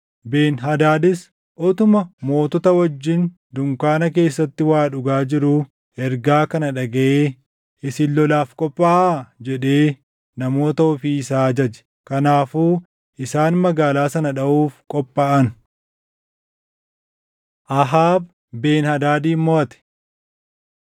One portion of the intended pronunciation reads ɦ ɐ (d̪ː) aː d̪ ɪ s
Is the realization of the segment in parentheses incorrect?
yes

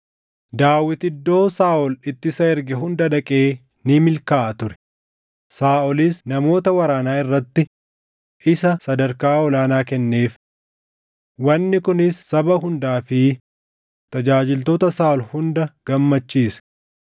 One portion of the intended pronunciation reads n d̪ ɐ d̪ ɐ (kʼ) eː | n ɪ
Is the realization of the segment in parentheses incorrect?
no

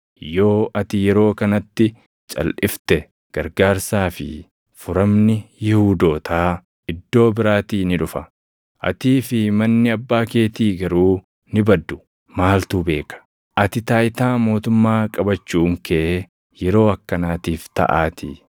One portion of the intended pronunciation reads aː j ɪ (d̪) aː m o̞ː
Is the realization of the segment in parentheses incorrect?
yes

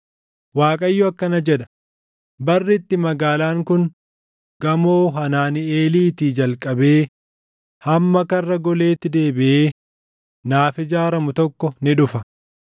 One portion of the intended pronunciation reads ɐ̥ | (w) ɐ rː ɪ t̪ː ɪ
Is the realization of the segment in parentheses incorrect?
yes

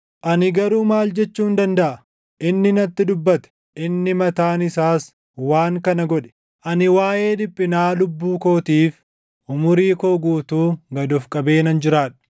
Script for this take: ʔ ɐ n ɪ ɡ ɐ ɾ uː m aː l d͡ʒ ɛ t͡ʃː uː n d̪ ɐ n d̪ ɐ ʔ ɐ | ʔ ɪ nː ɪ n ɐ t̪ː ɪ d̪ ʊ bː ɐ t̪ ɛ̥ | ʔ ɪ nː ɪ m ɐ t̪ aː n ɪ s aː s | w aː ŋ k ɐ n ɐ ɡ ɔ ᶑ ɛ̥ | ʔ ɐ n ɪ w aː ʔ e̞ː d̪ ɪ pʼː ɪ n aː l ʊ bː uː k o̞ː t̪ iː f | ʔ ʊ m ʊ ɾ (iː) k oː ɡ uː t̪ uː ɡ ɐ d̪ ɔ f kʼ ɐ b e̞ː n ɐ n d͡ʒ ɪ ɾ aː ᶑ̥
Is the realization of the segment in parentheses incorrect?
no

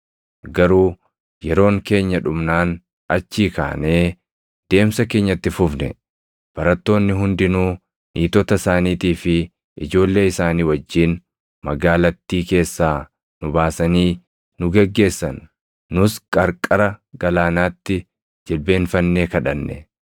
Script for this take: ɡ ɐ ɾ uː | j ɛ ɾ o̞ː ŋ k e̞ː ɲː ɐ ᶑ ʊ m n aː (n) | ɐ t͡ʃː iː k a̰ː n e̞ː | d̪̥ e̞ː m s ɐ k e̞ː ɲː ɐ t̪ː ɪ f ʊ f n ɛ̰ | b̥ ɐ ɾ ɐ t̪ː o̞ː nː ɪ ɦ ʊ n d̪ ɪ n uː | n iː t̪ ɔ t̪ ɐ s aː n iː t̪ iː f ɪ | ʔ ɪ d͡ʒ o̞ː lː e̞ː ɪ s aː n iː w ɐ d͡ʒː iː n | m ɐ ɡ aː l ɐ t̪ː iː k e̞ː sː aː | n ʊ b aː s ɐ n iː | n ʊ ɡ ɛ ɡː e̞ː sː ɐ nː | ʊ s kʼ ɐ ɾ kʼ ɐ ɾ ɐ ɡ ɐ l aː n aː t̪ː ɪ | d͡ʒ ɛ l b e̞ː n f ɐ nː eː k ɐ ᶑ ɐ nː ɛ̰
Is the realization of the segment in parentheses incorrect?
no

